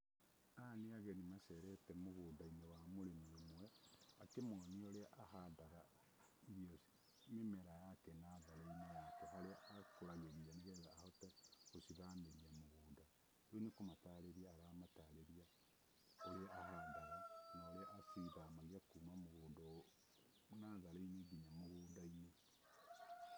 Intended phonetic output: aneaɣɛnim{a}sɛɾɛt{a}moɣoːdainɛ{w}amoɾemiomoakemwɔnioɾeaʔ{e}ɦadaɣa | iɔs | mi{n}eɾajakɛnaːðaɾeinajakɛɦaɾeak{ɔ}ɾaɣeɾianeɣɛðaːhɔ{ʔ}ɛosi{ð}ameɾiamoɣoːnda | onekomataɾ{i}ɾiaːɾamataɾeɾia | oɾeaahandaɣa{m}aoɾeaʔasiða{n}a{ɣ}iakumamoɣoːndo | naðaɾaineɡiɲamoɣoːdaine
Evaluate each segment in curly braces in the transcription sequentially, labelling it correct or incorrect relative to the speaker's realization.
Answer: correct, incorrect: ɛ, correct, incorrect: a, incorrect: m, incorrect: o, incorrect: t, correct, incorrect: e, incorrect: n, incorrect: m, correct

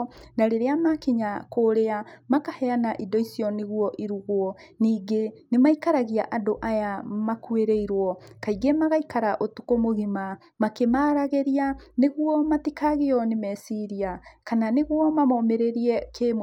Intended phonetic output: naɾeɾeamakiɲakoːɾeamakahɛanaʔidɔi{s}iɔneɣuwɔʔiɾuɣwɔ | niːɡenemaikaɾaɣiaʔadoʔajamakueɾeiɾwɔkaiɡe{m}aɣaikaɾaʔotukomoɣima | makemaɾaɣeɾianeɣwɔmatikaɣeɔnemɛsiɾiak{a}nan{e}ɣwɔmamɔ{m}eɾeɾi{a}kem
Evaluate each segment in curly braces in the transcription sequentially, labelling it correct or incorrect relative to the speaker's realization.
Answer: correct, correct, correct, correct, correct, incorrect: ɛ

